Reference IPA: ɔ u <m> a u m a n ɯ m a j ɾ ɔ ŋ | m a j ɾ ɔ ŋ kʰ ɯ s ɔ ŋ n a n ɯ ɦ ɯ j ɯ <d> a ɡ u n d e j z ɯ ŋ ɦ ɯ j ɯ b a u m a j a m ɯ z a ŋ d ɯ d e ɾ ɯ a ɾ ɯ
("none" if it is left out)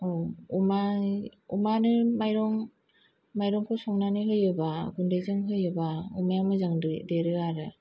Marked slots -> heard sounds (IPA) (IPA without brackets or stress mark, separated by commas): m, b